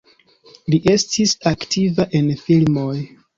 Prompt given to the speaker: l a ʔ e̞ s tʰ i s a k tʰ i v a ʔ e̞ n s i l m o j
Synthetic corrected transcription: l i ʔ e̞ s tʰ i s a k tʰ i v a ʔ e̞ n f i l m o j